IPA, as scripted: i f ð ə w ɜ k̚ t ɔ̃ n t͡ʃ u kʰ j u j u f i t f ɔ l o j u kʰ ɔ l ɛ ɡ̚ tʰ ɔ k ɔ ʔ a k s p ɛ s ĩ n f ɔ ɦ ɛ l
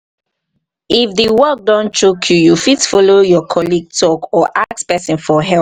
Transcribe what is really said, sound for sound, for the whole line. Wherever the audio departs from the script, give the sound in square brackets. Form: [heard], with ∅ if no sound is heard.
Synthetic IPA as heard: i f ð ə w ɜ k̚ [d] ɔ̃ n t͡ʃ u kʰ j u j u f i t f ɔ l o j [ɔ] kʰ ɔ l [i] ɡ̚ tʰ ɔ k ɔ ʔ a k s p ɛ s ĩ n f ɔ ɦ ɛ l

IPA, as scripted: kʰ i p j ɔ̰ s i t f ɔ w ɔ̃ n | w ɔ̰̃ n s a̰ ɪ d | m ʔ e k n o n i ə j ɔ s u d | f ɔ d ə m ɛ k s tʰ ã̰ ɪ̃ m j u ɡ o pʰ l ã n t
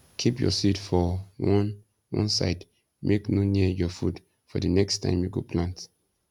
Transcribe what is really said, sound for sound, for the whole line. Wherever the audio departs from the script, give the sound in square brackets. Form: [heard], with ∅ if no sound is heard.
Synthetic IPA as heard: kʰ i p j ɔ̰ s i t f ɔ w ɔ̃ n | w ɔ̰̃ n s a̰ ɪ d | m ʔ e k n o n i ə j ɔ [f] u d | f ɔ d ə [n] ɛ k s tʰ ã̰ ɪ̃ m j u ɡ o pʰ l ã n t

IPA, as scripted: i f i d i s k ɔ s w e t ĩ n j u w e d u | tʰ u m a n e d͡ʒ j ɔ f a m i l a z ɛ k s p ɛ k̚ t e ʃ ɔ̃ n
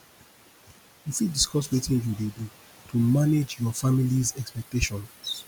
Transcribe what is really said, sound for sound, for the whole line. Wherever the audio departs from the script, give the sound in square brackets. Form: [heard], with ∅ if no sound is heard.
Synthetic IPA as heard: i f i d i s k ɔ s w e t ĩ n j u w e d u | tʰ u m a n e d͡ʒ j ɔ f a m i l [i] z ɛ k s p ɛ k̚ t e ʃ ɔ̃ n

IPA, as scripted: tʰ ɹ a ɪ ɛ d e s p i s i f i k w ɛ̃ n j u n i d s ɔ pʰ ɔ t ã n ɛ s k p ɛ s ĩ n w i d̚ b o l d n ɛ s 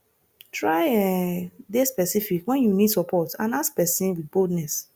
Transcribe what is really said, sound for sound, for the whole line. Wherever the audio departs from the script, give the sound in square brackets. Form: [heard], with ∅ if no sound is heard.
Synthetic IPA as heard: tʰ ɹ a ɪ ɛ d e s p [ɛ] s i f i k w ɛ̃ n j u n i d s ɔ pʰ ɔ t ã n [a] s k p ɛ s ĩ n w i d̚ b o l d n ɛ s

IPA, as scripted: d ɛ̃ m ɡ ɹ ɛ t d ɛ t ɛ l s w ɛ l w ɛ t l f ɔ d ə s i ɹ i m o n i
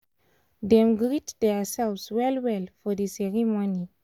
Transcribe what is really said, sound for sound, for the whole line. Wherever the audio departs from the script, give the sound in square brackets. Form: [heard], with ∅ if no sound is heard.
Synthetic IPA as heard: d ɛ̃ m ɡ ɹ [i] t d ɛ [s] ɛ l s w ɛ l w ɛ [∅] l f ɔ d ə s [ɛ] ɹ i m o n i

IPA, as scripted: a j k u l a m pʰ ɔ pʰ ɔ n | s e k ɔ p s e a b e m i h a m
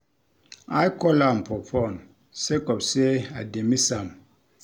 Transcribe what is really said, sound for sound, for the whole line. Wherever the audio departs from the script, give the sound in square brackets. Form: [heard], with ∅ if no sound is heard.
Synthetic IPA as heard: a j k [ɔ] l a m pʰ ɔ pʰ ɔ n | s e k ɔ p s e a [d] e m i [s] a m

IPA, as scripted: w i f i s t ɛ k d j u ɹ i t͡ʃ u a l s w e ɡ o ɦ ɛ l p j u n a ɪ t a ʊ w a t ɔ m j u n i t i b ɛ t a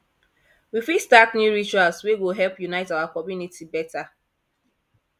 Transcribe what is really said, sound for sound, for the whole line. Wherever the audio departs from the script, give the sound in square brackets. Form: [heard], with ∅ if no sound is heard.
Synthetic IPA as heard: w i f i s t [a] k [n] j u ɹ i t͡ʃ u a l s w e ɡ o ɦ ɛ l p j u n a ɪ t a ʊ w a [k] ɔ m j u n i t i b ɛ t a

